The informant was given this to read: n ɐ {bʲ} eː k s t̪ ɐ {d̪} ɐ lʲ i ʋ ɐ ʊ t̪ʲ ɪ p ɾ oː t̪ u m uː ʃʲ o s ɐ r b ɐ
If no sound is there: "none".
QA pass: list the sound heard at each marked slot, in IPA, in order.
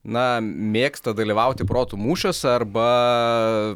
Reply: mʲ, d̪

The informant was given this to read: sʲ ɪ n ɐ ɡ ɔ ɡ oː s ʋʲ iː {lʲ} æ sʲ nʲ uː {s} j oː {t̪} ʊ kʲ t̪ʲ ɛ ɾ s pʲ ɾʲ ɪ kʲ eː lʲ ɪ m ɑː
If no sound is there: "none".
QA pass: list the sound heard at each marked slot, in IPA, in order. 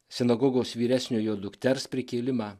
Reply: ɾʲ, none, d̪

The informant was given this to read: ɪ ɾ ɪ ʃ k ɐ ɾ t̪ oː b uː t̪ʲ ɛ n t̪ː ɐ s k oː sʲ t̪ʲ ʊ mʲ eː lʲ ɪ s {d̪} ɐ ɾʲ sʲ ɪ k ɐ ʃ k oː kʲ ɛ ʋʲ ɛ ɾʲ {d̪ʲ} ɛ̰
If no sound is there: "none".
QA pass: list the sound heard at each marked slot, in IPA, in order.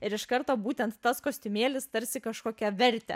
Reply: t̪, t̪ʲ

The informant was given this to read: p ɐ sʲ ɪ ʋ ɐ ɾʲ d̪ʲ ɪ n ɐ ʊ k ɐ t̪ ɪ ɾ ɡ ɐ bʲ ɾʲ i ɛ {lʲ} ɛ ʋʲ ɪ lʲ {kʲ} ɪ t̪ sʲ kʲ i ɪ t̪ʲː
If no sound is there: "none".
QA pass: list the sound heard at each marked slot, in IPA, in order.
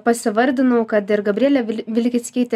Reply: lʲ, kʲ

